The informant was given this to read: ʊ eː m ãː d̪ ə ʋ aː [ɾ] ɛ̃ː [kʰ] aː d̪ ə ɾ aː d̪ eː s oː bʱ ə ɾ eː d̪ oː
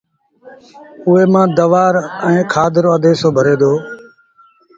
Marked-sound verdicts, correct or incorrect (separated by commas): correct, correct